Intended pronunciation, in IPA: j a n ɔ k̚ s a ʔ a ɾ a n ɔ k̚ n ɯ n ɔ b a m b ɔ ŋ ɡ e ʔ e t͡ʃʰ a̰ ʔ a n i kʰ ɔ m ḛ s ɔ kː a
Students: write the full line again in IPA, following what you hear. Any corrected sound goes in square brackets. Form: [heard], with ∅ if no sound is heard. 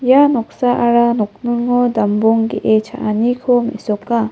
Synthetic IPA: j a n ɔ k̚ s a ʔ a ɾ a n ɔ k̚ n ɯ [ŋ] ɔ [d] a m b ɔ ŋ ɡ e ʔ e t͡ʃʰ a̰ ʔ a n i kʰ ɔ m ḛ s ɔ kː a